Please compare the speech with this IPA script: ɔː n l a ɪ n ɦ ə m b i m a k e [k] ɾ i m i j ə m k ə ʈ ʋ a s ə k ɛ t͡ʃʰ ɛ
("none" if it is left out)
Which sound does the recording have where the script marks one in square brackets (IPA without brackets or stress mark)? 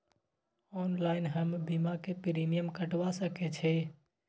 p